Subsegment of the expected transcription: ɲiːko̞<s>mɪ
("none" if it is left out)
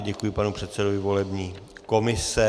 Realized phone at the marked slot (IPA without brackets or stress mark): none